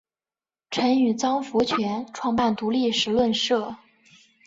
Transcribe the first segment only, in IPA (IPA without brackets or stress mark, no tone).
ʈ͡ʂʰ